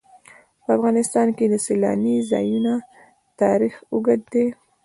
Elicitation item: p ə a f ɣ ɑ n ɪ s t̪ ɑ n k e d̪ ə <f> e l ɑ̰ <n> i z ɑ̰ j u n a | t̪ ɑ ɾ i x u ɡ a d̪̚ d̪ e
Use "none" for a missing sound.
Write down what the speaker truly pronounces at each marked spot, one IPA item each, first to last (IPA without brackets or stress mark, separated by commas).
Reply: s, n